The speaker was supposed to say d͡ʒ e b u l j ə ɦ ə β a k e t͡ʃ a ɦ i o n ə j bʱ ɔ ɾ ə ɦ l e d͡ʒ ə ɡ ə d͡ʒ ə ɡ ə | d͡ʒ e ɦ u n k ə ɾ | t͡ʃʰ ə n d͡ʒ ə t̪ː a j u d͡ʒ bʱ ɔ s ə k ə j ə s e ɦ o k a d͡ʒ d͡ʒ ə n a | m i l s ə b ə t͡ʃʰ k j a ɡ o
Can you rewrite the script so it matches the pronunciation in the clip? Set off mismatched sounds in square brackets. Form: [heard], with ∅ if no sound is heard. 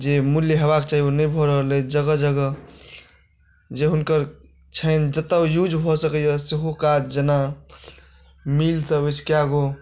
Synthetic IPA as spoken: d͡ʒ e [m] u l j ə ɦ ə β a k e t͡ʃ a ɦ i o n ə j bʱ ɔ ɾ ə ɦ l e d͡ʒ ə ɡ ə d͡ʒ ə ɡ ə | d͡ʒ e ɦ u n k ə ɾ | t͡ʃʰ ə n d͡ʒ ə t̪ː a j u d͡ʒ bʱ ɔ s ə k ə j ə s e ɦ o k a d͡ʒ d͡ʒ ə n a | m i l s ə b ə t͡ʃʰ k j a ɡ o